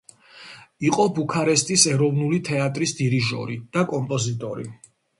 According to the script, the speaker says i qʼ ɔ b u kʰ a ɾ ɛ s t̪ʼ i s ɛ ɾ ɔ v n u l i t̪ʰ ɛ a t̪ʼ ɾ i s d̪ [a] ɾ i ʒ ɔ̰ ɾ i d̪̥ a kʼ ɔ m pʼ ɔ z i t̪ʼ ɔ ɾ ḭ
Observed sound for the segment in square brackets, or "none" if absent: i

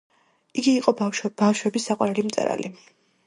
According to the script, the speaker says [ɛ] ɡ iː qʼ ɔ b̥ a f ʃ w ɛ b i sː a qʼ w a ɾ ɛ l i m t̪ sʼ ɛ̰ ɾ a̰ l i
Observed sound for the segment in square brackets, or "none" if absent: i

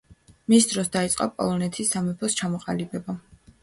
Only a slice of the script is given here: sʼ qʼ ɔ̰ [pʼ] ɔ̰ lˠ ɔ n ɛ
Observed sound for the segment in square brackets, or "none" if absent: pʼ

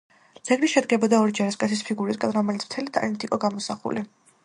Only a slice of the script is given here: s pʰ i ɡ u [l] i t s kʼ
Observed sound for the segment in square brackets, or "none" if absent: ɾ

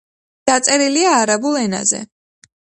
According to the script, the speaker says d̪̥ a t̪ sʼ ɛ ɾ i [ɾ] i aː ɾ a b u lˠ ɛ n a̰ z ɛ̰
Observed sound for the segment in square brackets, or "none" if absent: l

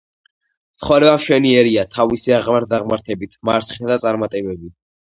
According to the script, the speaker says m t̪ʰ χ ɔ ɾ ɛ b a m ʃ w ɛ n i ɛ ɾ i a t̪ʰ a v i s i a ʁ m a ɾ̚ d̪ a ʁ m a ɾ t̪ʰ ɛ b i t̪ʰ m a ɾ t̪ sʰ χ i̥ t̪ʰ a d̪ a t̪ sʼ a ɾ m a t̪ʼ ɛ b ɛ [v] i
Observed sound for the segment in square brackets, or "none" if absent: b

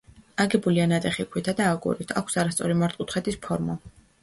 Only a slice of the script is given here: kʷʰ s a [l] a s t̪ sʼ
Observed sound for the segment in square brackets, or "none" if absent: ɾ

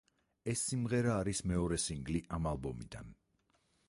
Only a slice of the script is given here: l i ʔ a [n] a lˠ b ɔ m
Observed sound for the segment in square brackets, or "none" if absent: m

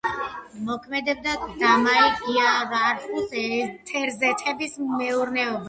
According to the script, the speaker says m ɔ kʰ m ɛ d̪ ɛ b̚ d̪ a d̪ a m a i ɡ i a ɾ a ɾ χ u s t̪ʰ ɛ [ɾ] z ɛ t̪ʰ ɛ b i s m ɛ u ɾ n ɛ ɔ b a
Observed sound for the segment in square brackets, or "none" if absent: ɾ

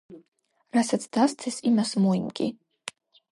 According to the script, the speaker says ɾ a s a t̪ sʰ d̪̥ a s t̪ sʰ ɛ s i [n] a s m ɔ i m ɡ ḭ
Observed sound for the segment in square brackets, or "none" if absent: m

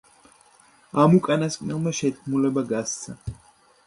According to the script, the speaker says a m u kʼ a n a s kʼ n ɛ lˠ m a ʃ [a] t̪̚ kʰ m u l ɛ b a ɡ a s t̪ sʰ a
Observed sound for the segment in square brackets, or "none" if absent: ɛ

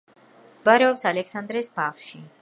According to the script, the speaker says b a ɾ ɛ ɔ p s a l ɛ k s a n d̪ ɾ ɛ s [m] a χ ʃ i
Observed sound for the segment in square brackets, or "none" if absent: b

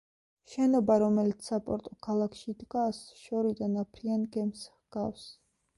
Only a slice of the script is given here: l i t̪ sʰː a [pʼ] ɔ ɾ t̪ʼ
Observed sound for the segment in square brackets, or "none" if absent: pʼ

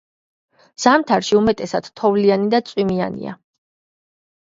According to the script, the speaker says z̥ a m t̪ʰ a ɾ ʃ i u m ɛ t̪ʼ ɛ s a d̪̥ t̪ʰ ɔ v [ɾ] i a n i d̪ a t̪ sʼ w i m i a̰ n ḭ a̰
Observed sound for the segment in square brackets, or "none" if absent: l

